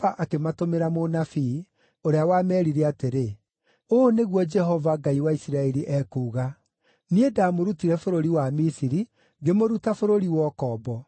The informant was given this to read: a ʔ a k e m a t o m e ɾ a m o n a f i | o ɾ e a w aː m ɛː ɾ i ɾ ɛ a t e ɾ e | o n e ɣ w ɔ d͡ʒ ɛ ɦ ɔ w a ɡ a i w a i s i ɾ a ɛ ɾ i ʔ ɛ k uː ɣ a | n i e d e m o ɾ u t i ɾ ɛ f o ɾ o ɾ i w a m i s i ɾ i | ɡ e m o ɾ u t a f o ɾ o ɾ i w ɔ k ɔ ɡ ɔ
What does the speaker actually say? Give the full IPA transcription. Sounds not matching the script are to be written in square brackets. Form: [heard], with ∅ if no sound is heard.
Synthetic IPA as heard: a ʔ a k e m a t o m e ɾ a m o n a f i | o ɾ e a w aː m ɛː ɾ i ɾ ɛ a t e ɾ e | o n e ɣ w ɔ d͡ʒ ɛ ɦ ɔ [v] a ɡ a i w a i s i ɾ a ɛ ɾ i ʔ ɛ k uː ɣ a | n i e d [a] m o ɾ u t i ɾ ɛ f o ɾ o ɾ i w a m i s i ɾ i | ɡ e m o ɾ u t a f o ɾ o ɾ i w ɔ k ɔ [b] ɔ